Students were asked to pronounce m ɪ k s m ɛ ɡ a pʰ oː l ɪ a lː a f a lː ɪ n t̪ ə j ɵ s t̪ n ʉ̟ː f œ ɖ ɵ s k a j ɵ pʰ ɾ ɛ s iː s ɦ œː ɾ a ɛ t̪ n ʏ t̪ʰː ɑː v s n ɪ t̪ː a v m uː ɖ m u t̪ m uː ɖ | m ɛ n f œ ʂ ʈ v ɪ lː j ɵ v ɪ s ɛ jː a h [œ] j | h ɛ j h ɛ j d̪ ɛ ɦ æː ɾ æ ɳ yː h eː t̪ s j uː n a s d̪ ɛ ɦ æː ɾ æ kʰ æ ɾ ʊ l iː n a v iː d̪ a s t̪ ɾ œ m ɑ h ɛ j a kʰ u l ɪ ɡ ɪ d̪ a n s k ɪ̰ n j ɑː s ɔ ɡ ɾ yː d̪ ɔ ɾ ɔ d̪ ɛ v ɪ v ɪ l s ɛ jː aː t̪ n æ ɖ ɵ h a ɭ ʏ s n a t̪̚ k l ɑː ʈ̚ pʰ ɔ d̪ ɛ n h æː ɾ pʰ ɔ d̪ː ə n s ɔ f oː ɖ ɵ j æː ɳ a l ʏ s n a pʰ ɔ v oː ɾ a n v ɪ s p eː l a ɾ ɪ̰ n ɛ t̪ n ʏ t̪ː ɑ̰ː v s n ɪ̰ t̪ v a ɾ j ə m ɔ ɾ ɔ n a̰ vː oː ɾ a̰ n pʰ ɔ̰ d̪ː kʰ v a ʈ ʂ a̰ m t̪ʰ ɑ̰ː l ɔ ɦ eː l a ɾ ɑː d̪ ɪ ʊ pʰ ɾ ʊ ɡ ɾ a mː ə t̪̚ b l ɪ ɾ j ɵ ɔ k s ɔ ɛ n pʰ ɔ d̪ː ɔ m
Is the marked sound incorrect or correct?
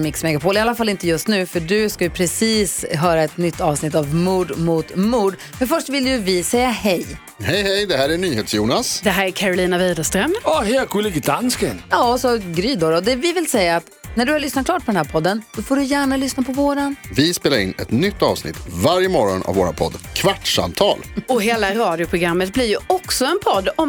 incorrect